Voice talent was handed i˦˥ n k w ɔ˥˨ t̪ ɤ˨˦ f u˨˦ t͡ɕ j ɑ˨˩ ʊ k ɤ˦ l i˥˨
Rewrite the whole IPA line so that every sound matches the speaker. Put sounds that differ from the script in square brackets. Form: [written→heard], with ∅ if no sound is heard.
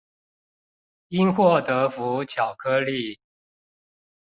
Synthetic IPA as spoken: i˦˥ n [k→x] w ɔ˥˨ t̪ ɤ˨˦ f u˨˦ [t͡ɕ→t͡ɕʰ] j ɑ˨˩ ʊ [k→kʰ] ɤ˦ l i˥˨